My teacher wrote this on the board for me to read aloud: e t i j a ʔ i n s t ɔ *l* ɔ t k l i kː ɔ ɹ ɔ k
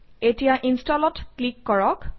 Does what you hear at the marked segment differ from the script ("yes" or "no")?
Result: no